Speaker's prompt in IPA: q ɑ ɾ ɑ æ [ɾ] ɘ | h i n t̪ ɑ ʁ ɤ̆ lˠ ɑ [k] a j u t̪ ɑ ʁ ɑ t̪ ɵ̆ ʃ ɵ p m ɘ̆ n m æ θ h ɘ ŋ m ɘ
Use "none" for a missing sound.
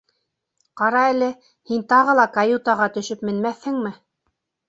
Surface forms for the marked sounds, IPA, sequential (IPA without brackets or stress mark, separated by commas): l, k